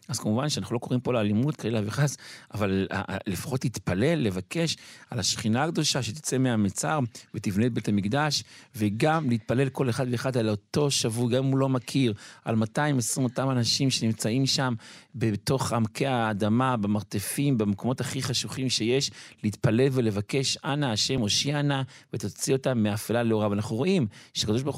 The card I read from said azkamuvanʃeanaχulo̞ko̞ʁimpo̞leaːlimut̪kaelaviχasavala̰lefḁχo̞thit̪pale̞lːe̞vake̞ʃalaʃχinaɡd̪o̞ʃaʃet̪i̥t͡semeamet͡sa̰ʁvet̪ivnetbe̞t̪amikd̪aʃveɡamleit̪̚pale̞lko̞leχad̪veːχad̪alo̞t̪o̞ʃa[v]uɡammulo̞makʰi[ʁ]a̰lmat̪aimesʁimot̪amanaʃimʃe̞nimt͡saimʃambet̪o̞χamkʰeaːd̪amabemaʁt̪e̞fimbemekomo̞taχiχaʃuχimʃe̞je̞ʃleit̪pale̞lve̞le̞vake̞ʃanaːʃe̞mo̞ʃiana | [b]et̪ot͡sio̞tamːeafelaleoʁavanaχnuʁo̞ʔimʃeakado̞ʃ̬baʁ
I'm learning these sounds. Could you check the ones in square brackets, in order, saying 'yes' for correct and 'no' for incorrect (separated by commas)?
yes, yes, no